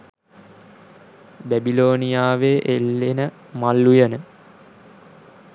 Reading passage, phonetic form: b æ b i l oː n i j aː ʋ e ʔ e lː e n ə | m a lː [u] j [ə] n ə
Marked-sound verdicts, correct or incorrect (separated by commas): correct, correct